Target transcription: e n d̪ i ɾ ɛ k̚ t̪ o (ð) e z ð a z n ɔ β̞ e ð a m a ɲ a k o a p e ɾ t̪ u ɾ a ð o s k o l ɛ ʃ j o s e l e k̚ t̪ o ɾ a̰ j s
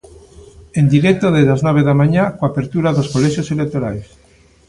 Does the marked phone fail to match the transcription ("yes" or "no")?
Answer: no